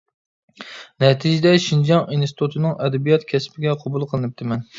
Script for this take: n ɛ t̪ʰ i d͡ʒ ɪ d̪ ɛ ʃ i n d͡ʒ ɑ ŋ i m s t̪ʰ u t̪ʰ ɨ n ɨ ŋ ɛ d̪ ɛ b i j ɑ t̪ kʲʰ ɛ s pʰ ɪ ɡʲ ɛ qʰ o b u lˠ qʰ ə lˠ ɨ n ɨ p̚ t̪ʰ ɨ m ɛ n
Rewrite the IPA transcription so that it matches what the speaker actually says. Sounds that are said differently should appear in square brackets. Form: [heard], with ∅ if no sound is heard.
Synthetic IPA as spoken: n ɛ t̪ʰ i d͡ʒ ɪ d̪ ɛ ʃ i n d͡ʒ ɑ ŋ i [n] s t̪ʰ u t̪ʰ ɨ n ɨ ŋ ɛ d̪ ɛ b i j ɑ t̪ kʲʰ ɛ s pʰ ɪ ɡʲ ɛ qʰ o b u lˠ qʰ ə lˠ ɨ n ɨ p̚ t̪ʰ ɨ m ɛ n

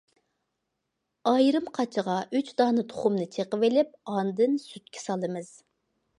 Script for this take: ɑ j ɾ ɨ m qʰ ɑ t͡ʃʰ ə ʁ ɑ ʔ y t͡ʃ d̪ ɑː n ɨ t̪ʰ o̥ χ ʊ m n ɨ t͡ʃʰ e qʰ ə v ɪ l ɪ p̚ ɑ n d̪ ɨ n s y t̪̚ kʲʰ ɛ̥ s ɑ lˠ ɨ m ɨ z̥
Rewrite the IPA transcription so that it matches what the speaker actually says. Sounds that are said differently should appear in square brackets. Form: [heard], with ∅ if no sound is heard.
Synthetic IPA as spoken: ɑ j ɾ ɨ m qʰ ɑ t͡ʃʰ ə ʁ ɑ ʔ y t͡ʃ d̪ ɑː n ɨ t̪ʰ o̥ χ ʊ m n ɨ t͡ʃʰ e [q] ə v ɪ l ɪ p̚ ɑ n d̪ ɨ n s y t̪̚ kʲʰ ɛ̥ s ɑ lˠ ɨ m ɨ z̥

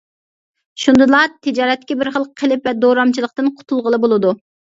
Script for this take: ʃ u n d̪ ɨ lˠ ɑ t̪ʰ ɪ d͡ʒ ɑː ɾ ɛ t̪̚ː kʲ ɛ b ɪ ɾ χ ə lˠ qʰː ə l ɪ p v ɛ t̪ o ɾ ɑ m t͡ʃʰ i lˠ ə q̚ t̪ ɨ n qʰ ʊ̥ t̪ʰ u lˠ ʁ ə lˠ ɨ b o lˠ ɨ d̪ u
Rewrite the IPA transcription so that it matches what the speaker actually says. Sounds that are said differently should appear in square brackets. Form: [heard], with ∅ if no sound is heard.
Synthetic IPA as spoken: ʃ u n d̪ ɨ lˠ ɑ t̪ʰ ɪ d͡ʒ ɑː ɾ ɛ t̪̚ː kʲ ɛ b ɪ ɾ χ ə lˠ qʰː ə l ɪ p v ɛ [d̪] o ɾ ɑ m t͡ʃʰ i lˠ ə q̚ t̪ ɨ n qʰ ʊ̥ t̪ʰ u lˠ ʁ ə lˠ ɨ b o lˠ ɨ d̪ u

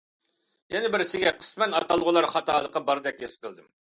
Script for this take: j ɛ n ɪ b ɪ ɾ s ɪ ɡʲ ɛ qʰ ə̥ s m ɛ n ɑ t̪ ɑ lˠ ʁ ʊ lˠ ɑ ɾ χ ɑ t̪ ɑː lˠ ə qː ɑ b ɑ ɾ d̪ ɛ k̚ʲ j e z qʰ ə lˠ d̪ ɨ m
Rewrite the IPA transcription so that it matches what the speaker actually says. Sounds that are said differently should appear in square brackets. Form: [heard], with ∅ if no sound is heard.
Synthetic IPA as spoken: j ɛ n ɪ b ɪ ɾ s ɪ ɡʲ ɛ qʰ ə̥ s m ɛ n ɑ t̪ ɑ lˠ ʁ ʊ lˠ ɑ ɾ χ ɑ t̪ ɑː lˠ ə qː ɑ b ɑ ɾ d̪ ɛ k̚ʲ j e [s] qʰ ə lˠ d̪ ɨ m

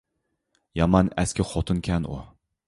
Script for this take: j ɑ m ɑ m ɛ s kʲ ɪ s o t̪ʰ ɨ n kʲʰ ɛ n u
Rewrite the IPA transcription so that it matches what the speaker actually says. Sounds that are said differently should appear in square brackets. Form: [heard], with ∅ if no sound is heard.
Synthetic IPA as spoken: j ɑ m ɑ [n] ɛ s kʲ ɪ [χ] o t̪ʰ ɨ n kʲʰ ɛ n u

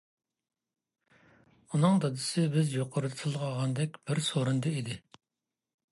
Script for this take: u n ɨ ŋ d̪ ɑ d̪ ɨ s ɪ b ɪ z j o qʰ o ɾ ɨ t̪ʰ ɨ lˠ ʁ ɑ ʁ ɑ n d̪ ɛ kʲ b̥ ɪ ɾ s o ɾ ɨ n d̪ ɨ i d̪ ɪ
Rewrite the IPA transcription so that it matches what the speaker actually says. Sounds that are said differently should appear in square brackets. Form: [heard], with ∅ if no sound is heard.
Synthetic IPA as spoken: u n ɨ ŋ d̪ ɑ d̪ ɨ s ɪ b ɪ z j o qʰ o ɾ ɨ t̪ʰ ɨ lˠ ʁ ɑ ʁ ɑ n d̪ ɛ kʲ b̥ ɪ ɾ s o ɾ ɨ n d̪ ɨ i d̪ ɪ

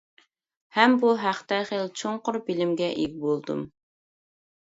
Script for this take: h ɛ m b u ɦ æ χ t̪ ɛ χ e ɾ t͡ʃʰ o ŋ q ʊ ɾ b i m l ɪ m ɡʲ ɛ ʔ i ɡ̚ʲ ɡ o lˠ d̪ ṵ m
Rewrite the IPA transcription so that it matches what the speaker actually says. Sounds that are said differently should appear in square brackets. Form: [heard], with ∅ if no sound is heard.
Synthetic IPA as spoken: h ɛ m b u ɦ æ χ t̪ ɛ χ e [l] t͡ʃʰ o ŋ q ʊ ɾ b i [∅] l ɪ m ɡʲ ɛ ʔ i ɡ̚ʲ [b] o lˠ d̪ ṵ m

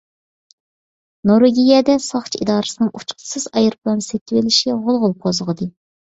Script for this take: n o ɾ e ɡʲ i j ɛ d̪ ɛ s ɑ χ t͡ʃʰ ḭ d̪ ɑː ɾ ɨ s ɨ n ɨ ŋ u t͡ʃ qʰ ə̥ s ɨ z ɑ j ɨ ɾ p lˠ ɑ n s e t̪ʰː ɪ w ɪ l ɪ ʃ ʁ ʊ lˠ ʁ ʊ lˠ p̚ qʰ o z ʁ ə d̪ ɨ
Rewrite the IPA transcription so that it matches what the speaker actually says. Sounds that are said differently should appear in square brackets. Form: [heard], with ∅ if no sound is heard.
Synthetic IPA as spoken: n o ɾ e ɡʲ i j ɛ d̪ ɛ s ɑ χ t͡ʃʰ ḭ d̪ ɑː ɾ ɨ s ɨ n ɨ ŋ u t͡ʃ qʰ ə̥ s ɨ z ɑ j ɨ ɾ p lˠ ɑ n s e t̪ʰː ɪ w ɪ l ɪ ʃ ʁ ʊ lˠ ʁ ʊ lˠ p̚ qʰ o z ʁ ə d̪ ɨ

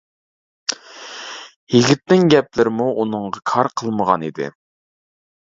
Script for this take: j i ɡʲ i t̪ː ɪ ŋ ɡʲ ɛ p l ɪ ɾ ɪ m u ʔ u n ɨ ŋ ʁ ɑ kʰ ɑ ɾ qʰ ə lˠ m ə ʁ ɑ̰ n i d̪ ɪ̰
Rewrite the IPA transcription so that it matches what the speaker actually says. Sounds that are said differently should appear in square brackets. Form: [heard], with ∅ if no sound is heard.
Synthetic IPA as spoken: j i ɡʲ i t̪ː ɪ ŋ ɡʲ ɛ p l ɪ ɾ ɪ m u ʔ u n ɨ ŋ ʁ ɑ kʰ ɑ ɾ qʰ ə lˠ m ə ʁ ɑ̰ n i d̪ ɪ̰

